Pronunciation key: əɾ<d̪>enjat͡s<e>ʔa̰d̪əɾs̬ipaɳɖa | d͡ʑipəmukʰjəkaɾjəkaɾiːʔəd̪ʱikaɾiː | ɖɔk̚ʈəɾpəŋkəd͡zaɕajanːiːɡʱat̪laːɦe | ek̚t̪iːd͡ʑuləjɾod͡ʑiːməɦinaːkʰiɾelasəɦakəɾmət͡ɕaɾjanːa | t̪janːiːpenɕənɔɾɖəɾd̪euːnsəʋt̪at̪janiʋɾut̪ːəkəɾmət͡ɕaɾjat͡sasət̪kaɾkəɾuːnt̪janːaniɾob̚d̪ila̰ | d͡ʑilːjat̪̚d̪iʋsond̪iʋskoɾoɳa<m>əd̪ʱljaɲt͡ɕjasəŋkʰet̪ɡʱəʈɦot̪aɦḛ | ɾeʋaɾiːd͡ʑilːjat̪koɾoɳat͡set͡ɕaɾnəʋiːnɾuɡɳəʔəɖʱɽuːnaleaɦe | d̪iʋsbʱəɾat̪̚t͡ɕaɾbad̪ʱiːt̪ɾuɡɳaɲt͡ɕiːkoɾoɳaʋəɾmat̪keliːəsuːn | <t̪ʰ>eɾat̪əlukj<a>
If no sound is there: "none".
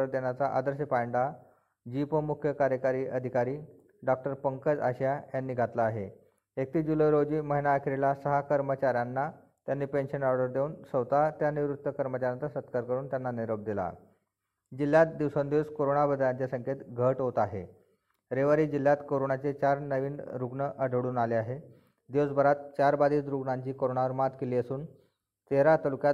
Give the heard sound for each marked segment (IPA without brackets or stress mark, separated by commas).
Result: d̪, a, b, t̪, a